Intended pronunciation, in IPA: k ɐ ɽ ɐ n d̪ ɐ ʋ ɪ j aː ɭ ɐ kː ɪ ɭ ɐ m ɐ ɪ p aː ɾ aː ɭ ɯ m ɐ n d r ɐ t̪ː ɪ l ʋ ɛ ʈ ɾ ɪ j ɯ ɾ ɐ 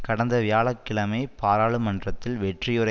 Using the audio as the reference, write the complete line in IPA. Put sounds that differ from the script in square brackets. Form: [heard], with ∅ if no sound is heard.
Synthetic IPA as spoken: k ɐ ɽ ɐ n d̪ ɐ ʋ ɪ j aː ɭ ɐ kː ɪ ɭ ɐ m ɐ ɪ p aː ɾ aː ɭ ɯ m ɐ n d r ɐ t̪ː ɪ l ʋ ɛ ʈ [r] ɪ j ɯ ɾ ɐ

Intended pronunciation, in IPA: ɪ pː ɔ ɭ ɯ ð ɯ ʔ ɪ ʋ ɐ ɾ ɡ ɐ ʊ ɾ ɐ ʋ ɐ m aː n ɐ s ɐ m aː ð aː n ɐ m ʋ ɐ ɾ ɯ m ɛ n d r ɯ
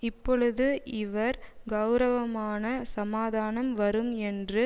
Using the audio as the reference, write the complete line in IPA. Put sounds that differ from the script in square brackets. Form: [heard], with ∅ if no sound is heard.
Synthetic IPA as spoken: ɪ pː ɔ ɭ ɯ ð ɯ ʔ ɪ ʋ ɐ ɾ ɡ ɐ ʊ ɾ ɐ ʋ ɐ m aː n ɐ s ɐ m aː ð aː n ɐ m ʋ ɐ ɾ ɯ m ɛ n d r ɯ

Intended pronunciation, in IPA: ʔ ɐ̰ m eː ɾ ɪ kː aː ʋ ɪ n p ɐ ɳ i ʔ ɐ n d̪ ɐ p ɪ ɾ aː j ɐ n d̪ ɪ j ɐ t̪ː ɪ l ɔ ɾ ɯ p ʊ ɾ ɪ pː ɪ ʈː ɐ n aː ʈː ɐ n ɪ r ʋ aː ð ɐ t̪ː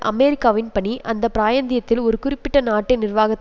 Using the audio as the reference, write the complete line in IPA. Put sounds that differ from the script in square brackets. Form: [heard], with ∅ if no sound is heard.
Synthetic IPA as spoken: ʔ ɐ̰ m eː ɾ ɪ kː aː ʋ ɪ n p ɐ ɳ i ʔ ɐ n d̪ ɐ p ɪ ɾ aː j ɐ n d̪ ɪ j ɐ t̪ː ɪ l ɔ ɾ ɯ [k] ʊ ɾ ɪ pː ɪ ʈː ɐ n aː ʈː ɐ n ɪ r ʋ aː [ɣ] ɐ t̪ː

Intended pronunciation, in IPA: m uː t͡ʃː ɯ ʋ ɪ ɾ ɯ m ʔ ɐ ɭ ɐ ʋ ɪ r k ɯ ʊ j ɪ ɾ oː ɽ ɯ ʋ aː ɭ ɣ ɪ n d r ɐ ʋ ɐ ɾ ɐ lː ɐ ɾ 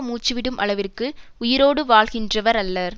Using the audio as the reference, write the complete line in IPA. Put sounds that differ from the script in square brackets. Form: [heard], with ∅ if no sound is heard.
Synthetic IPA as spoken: m uː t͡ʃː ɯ ʋ ɪ [ɽ] ɯ m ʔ ɐ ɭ ɐ ʋ ɪ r k ɯ ʊ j ɪ ɾ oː ɽ ɯ ʋ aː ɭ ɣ ɪ n d r ɐ ʋ ɐ ɾ ɐ lː ɐ ɾ

